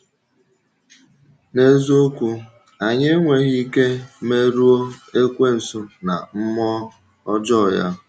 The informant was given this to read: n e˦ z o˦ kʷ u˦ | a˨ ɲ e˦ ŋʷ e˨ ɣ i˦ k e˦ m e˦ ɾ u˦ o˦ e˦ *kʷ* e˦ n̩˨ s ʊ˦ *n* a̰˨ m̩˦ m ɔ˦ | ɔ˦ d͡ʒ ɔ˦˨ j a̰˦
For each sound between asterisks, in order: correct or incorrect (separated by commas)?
correct, correct